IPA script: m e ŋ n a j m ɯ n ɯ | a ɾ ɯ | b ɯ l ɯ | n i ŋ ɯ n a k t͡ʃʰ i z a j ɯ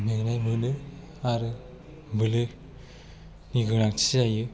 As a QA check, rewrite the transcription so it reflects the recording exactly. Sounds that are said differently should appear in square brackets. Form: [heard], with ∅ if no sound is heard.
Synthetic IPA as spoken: m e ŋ n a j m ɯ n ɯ | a ɾ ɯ | b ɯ l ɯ | n i [ɡ] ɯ n a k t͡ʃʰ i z a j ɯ